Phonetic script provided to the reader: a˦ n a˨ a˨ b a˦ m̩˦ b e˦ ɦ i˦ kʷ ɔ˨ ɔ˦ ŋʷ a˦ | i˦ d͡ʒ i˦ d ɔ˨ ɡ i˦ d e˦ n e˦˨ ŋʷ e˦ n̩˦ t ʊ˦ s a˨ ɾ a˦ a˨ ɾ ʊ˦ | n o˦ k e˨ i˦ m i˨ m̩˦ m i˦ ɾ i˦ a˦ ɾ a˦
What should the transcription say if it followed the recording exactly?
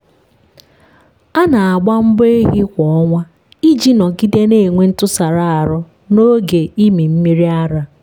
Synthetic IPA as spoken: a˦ n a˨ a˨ ɡ͡b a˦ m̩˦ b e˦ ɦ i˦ kʷ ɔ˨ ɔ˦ ŋʷ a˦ | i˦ d͡ʒ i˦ n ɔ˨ ɡ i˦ d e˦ n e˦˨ ŋʷ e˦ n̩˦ t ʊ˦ s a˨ ɾ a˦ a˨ ɾ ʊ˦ | n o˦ ɡ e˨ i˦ m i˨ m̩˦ m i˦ ɾ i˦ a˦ ɾ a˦

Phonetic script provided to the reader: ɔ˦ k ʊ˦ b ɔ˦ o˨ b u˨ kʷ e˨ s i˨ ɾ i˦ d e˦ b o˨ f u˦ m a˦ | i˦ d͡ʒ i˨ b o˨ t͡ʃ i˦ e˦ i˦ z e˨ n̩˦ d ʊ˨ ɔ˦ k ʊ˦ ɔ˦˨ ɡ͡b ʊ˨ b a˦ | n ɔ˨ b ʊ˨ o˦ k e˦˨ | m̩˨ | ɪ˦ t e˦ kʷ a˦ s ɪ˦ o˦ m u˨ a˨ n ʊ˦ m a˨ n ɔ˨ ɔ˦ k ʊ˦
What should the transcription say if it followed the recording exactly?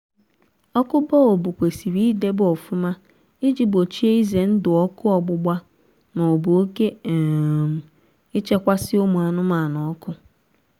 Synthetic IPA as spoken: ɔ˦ k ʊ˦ b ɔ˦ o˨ b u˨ kʷ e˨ s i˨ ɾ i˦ d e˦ b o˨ f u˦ m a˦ | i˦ d͡ʒ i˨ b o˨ t͡ʃ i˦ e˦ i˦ z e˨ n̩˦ d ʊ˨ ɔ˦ k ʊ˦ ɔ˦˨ ɡ͡b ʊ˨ ɡ͡b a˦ | n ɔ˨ b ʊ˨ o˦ k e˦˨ | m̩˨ | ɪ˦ t͡ʃ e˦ kʷ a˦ s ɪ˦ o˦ m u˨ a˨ n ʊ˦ m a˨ n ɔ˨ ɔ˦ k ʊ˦

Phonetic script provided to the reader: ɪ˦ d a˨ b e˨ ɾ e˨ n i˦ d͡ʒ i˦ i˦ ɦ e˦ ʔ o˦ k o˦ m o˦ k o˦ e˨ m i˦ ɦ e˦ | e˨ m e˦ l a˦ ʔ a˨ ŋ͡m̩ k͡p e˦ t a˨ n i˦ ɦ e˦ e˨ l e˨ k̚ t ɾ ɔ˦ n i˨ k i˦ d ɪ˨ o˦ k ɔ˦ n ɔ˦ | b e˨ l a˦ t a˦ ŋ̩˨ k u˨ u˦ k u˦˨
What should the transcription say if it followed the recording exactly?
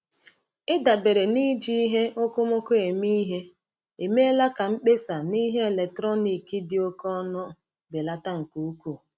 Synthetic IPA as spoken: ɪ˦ d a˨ b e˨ ɾ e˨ n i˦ d͡ʒ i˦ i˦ ɦ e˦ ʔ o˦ k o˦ m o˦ k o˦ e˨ m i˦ ɦ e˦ | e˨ m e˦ l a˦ k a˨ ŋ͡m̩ k͡p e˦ s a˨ n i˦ ɦ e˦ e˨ l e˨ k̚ t ɾ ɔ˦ n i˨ k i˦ d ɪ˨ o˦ k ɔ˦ n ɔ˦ | b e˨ l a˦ t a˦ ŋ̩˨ k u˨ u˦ k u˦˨

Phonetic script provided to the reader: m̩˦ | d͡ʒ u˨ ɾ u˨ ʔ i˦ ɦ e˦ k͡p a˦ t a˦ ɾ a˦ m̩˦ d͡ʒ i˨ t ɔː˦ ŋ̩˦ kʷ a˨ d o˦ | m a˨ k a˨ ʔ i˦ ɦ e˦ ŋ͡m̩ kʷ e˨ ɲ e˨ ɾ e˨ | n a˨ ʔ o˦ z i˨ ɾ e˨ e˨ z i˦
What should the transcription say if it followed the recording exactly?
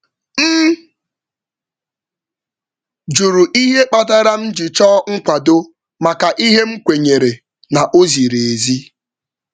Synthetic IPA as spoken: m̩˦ | d͡ʒ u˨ ɾ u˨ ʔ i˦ ɦ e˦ k͡p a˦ t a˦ ɾ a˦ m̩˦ d͡ʒ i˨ t͡ʃ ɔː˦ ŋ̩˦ kʷ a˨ d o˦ | m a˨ k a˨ ʔ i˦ ɦ e˦ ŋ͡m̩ kʷ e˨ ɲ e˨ ɾ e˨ | n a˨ ʔ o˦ z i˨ ɾ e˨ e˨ z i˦

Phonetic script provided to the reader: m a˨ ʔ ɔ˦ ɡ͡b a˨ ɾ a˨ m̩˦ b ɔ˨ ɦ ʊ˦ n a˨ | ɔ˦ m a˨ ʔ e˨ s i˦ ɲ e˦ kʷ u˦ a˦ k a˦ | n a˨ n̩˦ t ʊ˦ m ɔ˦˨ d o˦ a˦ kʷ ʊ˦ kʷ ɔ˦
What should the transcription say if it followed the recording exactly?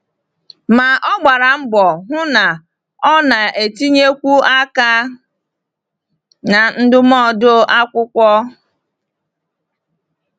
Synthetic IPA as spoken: m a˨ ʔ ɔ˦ ɡ͡b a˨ ɾ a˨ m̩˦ b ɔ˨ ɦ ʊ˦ n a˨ | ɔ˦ n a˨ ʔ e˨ t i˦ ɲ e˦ kʷ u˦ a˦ k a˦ | n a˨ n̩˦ d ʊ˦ m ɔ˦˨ d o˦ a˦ kʷ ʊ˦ kʷ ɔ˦

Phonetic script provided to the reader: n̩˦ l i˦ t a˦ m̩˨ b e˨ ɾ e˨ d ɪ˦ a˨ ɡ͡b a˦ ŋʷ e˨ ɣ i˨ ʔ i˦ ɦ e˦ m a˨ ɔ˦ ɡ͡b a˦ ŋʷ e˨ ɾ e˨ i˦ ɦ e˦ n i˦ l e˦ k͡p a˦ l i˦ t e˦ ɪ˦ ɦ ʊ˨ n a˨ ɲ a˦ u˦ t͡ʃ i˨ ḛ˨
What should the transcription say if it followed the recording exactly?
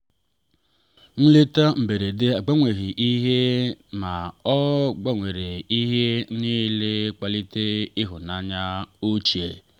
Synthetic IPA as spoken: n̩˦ l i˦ t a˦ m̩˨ b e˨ ɾ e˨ d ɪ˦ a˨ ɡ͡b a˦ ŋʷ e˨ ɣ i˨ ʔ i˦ ɦ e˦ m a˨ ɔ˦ ɡ͡b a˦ ŋʷ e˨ ɾ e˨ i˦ ɦ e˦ n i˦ l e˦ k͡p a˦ l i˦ t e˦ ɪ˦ ɦ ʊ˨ n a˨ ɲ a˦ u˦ t͡ʃ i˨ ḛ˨

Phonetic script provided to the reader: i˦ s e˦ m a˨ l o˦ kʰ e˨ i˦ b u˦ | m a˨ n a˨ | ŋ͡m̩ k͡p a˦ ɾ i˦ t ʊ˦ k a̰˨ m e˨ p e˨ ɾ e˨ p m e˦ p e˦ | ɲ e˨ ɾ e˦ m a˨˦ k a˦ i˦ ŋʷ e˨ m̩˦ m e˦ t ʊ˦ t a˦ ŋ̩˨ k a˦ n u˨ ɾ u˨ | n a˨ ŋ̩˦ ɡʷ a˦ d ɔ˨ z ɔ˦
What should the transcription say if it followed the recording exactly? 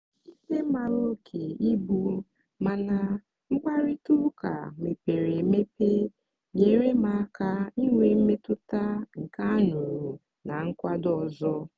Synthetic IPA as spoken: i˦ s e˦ m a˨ ɾ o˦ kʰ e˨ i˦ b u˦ | m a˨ n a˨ | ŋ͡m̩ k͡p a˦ ɾ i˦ t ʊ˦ k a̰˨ m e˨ p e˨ ɾ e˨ m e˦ p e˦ | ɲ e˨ ɾ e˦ m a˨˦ k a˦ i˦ ŋʷ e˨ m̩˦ m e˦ t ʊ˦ t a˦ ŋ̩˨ k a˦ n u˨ ɾ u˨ | n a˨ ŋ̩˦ kʷ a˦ d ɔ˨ z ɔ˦

